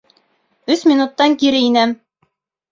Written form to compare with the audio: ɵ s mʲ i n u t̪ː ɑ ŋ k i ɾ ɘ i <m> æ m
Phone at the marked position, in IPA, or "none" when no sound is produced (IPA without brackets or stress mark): n